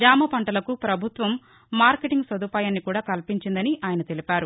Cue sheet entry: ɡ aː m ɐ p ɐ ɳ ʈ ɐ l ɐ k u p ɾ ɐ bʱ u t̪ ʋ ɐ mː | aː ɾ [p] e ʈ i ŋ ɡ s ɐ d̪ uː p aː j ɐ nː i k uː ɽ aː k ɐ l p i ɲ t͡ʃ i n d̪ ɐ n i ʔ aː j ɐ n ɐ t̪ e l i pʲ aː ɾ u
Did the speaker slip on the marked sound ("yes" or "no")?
yes